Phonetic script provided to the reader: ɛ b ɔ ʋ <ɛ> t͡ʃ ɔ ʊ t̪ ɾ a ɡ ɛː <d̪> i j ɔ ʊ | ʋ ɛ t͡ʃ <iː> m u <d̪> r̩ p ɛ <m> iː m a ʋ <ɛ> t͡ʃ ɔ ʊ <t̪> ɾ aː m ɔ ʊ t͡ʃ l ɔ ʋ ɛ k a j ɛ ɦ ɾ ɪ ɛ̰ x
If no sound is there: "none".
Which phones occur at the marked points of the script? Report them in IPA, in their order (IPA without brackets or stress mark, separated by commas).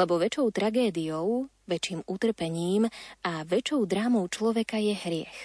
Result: ɛ, d̪, iː, t̪, ɲ, ɛ, d̪